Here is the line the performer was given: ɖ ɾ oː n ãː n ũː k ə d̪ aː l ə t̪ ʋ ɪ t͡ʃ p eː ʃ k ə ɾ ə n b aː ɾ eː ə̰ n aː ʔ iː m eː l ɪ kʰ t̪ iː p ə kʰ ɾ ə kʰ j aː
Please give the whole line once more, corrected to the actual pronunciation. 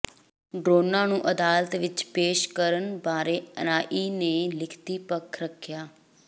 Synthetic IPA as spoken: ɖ ɾ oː n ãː n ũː ʔ ə d̪ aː l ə t̪ ʋ ɪ t͡ʃ p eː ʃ k ə ɾ ə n b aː ɾ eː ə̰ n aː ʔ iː n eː l ɪ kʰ t̪ iː p ə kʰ ɾ ə kʰ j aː